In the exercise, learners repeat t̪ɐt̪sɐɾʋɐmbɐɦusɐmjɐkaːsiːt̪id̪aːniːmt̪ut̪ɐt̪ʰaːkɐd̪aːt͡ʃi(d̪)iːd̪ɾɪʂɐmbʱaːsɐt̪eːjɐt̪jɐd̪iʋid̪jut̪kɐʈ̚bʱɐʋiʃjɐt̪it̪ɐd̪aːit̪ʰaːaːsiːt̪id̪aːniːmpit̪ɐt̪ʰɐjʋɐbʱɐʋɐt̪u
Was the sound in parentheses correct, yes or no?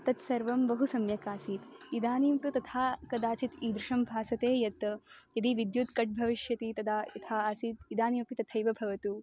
no